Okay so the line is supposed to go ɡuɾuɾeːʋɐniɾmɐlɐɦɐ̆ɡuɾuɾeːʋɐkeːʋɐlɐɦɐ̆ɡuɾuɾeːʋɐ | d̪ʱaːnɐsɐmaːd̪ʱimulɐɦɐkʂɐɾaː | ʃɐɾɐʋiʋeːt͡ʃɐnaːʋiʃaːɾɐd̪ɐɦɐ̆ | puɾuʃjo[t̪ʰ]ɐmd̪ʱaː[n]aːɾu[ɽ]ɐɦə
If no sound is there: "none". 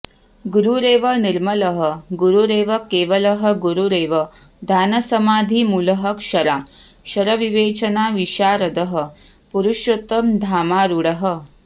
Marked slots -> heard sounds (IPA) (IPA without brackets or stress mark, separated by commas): t̪, m, ɽ